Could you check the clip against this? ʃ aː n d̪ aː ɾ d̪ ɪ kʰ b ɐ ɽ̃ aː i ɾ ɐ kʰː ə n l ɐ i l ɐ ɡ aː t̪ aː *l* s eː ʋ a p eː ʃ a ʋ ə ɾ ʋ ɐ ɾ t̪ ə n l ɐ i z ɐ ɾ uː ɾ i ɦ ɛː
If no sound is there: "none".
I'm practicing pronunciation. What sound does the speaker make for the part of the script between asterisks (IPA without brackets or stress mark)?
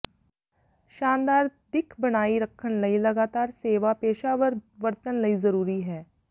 ɾ